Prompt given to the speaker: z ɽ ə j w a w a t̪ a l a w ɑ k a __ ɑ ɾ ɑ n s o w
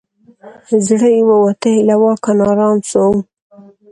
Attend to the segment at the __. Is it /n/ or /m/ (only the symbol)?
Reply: n